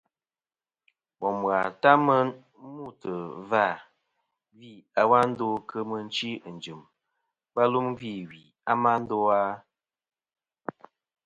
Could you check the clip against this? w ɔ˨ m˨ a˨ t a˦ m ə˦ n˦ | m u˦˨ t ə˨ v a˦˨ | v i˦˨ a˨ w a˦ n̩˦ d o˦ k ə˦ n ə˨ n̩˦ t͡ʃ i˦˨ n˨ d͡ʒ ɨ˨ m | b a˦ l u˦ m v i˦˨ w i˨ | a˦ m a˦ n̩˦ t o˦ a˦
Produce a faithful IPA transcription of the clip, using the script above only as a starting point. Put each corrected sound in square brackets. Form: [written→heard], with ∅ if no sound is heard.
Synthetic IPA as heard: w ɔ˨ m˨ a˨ t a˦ m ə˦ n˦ | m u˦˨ t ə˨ v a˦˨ | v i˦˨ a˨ w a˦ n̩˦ d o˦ k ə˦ [n→m] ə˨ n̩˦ t͡ʃ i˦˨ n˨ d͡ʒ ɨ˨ m | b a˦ l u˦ m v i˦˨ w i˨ | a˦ m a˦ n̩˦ [t→d] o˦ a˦